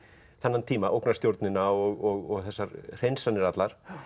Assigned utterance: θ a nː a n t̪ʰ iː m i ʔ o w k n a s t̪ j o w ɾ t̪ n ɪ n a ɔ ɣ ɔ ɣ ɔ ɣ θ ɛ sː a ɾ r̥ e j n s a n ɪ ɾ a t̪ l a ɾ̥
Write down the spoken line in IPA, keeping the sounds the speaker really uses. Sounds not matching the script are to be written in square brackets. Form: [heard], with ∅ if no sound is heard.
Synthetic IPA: θ a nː a n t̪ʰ iː m [a] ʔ o w k n a s t̪ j o w ɾ t̪ n ɪ n a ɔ ɣ ɔ ɣ ɔ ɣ θ ɛ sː a ɾ r̥ e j n s a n ɪ ɾ a t̪ l a ɾ̥

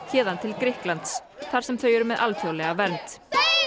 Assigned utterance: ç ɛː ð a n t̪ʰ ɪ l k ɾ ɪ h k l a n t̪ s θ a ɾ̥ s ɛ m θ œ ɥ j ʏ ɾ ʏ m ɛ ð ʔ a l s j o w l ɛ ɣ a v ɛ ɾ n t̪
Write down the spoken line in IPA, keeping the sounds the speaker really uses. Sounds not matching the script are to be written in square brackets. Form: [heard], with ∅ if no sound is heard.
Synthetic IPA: ç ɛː ð a n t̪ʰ ɪ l k ɾ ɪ h k l a n t̪ s θ a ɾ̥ s ɛ m θ œ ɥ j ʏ ɾ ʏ m ɛ ð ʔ a l [f] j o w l ɛ ɣ a v ɛ ɾ n t̪

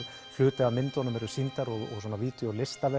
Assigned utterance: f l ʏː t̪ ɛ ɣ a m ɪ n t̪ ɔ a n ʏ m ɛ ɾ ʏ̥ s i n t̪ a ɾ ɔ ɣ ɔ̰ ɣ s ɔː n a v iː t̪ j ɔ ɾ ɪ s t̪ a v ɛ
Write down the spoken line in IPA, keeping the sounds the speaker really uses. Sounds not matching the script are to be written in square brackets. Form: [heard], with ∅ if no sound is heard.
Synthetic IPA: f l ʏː t̪ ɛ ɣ a m ɪ n t̪ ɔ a n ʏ m ɛ ɾ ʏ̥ s i n t̪ a ɾ ɔ ɣ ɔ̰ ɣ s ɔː n a v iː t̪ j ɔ [l] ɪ s t̪ a v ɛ

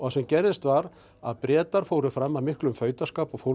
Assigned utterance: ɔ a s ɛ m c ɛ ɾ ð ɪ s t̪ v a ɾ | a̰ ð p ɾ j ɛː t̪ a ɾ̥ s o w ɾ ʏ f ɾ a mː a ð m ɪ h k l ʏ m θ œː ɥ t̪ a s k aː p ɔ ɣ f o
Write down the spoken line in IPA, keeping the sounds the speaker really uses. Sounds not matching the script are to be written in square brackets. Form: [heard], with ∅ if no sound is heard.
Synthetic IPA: ɔ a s ɛ m c ɛ ɾ ð ɪ s t̪ v a ɾ | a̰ ð p ɾ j ɛː t̪ a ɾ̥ [f] o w ɾ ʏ f ɾ a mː a ð m ɪ h k l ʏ m [f] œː ɥ t̪ a s k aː p ɔ ɣ f o

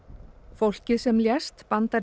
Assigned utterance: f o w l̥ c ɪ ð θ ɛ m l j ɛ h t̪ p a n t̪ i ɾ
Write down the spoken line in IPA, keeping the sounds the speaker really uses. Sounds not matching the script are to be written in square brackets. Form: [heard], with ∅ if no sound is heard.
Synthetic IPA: f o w l̥ c ɪ ð [s] ɛ m l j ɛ [s] t̪ p a n t̪ [a] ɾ

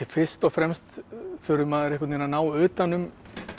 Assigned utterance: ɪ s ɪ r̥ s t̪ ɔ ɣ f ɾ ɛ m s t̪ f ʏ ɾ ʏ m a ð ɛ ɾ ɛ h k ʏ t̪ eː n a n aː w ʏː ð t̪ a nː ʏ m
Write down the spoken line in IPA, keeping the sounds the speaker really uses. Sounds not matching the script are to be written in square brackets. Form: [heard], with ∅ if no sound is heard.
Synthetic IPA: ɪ [f] ɪ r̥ s t̪ ɔ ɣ f ɾ ɛ m s t̪ f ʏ ɾ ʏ m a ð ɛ ɾ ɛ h k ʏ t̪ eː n a n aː w ʏː [∅] t̪ a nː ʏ m

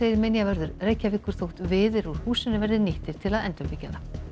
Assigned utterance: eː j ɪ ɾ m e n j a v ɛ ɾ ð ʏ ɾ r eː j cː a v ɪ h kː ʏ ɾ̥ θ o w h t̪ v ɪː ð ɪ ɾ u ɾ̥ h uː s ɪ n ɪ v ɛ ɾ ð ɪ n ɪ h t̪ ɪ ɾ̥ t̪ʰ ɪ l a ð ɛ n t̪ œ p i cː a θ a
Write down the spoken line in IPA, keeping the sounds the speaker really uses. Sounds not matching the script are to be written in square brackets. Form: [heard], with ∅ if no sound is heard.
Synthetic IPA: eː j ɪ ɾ m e n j a v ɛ ɾ ð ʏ ɾ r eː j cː a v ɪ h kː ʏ ɾ̥ θ o w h t̪ v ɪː ð ɪ ɾ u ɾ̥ h uː s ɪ n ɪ v ɛ ɾ ð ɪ n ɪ h t̪ ɪ ɾ̥ t̪ʰ ɪ l a ð ɛ n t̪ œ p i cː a [ð] a

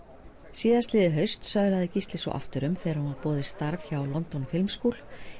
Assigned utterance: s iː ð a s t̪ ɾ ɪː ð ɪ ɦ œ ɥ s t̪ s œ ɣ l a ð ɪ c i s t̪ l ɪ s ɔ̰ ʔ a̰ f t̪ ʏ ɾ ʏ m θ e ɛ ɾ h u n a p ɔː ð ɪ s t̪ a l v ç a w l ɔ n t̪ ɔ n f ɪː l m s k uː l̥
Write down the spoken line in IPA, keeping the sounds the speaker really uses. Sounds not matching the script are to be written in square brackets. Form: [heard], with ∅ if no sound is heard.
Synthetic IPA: s iː ð a s t̪ [l] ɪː ð ɪ ɦ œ ɥ s t̪ s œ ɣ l a ð ɪ c i s t̪ l ɪ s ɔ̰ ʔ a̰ f t̪ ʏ ɾ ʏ m θ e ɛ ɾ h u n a p ɔː ð ɪ s t̪ a [ɾ] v ç a w l ɔ n t̪ ɔ n f [ɪ] l m s k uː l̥

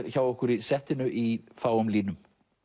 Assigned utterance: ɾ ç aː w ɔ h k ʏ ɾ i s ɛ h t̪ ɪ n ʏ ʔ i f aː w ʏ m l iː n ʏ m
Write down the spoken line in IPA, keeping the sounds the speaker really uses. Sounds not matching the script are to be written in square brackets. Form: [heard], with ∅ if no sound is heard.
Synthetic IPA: ɾ ç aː w ɔ h k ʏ ɾ i s ɛ h t̪ ɪ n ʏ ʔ i f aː w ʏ m l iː n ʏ m

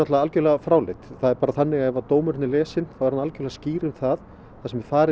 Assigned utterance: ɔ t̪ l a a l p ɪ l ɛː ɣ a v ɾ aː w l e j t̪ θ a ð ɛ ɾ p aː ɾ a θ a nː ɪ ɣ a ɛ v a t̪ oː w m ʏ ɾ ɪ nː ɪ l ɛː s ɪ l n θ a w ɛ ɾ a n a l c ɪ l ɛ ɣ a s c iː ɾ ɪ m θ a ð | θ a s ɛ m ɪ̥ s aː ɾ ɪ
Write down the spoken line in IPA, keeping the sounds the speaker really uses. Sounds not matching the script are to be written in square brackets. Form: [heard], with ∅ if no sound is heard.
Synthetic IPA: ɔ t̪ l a a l [c] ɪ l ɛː ɣ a [f] ɾ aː w l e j t̪ θ a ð ɛ ɾ p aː ɾ a θ a nː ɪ ɣ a ɛ v a t̪ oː w m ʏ ɾ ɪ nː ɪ l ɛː s ɪ [∅] n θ a w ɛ ɾ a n a l c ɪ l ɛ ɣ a s c iː ɾ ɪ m θ a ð | θ a s ɛ m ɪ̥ [f] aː ɾ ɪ

